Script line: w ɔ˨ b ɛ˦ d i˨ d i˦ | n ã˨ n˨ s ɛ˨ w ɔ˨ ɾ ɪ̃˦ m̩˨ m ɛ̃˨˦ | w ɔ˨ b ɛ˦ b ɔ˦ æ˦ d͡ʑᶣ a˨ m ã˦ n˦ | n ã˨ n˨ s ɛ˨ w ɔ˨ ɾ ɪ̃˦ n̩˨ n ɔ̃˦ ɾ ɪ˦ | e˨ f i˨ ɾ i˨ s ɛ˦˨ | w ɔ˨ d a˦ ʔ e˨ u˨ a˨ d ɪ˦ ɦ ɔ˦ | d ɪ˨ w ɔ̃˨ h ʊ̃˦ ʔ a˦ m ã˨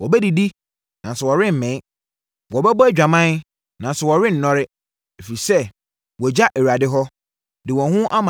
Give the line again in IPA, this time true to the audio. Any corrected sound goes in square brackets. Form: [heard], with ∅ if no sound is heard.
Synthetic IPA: w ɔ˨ b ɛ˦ d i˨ d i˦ | n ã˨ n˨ s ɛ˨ w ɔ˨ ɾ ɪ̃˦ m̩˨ m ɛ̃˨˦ | w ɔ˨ b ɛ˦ b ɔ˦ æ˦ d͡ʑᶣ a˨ m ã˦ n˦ | n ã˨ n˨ s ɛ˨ w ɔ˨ ɾ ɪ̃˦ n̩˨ n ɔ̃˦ ɾ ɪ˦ | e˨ f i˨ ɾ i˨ s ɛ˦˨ | w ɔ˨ [d͡ʑ] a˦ ʔ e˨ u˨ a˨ d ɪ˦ ɦ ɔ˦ | d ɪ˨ w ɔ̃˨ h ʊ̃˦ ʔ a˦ m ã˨